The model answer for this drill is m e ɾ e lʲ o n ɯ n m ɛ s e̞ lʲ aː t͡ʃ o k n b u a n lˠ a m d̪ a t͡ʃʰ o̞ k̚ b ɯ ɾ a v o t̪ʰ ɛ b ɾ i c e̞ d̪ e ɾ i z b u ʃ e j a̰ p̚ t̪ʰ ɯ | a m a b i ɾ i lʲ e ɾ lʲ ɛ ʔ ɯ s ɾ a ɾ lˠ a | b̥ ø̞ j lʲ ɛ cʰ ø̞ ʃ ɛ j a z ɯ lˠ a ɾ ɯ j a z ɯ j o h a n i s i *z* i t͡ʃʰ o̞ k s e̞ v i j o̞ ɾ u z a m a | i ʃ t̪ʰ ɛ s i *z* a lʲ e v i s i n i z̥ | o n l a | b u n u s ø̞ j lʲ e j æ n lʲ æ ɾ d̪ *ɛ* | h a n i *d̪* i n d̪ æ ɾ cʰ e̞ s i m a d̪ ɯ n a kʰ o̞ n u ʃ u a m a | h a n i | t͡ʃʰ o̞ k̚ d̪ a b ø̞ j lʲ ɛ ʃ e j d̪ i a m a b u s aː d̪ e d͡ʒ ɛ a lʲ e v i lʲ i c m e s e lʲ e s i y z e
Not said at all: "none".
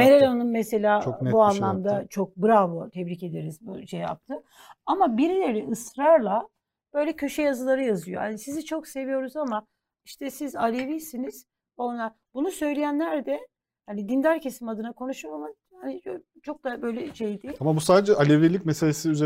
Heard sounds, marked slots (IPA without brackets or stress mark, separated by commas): z, z, ɛ, d̪